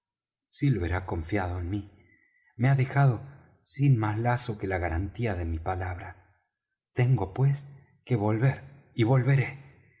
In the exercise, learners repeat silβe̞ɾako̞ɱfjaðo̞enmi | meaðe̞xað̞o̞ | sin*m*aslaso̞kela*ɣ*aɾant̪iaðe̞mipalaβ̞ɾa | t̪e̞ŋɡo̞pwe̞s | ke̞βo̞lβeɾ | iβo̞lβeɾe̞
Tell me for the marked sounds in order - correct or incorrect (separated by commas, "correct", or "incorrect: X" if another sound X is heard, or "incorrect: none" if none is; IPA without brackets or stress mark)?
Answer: correct, correct